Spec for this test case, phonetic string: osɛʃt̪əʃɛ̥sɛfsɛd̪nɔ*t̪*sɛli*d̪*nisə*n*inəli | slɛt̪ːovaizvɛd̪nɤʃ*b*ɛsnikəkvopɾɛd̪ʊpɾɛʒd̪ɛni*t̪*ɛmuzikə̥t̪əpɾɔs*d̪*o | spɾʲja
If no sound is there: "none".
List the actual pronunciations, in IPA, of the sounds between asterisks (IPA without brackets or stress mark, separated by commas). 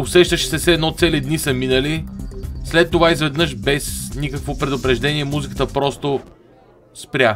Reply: t̪, d̪, m, b, none, t̪